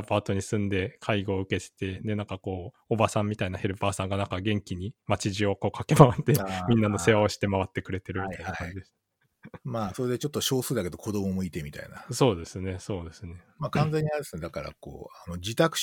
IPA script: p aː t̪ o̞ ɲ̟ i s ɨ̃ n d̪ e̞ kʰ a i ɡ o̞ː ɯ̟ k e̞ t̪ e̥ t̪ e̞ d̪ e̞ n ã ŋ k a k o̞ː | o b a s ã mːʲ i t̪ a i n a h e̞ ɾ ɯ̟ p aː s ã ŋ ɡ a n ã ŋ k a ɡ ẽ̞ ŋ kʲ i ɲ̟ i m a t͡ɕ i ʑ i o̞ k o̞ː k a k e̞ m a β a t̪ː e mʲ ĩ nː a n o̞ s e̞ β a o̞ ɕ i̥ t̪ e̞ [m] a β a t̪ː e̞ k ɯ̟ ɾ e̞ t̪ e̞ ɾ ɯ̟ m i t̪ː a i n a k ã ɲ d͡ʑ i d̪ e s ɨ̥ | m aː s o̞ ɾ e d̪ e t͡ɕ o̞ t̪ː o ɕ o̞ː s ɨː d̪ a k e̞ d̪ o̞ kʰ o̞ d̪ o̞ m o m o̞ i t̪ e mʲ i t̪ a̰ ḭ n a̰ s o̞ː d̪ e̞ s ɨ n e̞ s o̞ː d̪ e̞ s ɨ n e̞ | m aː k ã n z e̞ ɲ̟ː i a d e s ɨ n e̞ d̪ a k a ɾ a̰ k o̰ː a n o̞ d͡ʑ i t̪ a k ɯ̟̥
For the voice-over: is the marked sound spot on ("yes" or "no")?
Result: yes